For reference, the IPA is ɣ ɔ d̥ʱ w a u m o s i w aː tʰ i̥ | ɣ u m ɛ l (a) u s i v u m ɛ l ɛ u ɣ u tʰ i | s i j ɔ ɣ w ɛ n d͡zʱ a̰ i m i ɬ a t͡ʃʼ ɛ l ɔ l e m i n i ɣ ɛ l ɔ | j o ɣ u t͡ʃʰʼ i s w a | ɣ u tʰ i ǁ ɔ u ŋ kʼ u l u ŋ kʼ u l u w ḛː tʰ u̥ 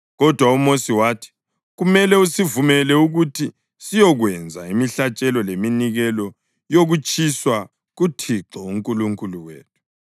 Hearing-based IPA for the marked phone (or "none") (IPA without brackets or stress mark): ɛ